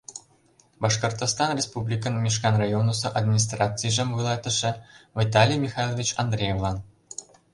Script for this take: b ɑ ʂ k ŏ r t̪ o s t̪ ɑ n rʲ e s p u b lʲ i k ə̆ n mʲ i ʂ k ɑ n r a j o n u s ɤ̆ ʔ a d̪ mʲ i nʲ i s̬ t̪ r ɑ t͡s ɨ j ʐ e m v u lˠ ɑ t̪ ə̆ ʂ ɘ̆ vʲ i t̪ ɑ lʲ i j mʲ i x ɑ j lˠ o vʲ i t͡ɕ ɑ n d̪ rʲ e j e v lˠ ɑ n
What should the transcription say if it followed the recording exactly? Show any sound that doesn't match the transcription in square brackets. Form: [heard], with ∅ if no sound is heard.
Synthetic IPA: b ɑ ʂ k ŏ r t̪ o s t̪ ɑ n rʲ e s p u b lʲ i k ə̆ n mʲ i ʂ k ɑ n r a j o n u s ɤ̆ ʔ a d̪ mʲ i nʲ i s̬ t̪ r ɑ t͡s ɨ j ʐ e m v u lˠ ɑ t̪ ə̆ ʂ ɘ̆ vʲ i t̪ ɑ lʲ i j mʲ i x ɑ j lˠ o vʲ i t͡ɕ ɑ n d̪ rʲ e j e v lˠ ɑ n